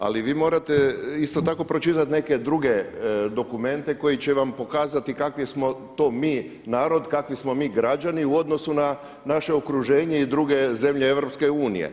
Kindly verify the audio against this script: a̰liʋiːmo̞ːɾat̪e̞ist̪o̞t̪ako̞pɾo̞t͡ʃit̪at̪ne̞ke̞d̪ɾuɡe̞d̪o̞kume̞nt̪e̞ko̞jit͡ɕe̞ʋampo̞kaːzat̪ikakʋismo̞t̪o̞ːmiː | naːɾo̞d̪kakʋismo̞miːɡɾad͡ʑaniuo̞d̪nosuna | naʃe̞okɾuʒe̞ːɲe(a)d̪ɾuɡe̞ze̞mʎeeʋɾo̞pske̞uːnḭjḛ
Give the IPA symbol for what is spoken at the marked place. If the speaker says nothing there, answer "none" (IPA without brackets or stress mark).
i